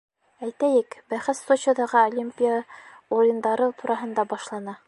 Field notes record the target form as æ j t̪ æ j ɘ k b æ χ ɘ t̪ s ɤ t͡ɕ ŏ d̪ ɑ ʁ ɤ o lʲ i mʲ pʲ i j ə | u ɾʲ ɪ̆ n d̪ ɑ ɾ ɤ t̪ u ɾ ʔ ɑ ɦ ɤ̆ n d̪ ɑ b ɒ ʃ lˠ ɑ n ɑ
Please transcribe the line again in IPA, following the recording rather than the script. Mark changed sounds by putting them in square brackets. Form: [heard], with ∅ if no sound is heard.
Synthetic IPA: æ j t̪ æ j ɘ k b æ χ ɘ t̪ s [o] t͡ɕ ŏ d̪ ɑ ʁ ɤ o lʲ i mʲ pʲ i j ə | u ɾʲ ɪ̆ n d̪ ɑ ɾ ɤ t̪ u ɾ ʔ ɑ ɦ ɤ̆ n d̪ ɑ b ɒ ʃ lˠ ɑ n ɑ